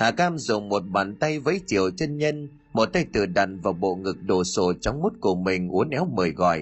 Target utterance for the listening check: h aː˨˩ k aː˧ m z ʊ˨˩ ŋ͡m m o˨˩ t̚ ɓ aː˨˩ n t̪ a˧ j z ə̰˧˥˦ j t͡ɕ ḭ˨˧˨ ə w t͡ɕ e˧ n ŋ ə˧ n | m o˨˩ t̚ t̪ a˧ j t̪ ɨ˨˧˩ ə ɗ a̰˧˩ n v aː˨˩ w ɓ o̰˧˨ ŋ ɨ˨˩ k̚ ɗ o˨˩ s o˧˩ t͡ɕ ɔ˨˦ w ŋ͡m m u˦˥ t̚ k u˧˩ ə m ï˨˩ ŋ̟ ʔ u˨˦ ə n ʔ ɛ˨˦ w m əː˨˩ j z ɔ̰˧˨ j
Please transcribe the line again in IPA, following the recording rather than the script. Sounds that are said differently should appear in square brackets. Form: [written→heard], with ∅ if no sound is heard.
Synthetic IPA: h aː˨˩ k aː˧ m z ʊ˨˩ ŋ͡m m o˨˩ t̚ ɓ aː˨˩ n t̪ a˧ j [z→v] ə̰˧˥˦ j t͡ɕ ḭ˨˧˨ ə w t͡ɕ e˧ n [ŋ→ɲ] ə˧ n | m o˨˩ t̚ t̪ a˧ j t̪ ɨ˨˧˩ ə ɗ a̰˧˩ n v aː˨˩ w ɓ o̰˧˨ ŋ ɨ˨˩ k̚ ɗ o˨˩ s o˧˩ t͡ɕ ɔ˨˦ w ŋ͡m m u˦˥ t̚ k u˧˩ ə m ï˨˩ ŋ̟ ʔ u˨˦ ə n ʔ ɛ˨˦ w m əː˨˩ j [z→ɣ] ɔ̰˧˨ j